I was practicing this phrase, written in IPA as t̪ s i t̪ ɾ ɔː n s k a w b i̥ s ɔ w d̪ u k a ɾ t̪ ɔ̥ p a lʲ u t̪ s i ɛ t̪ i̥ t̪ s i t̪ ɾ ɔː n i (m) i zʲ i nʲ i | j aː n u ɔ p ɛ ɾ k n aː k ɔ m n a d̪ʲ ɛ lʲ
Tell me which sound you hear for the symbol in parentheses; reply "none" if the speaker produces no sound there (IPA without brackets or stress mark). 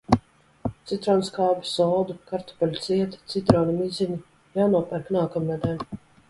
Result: m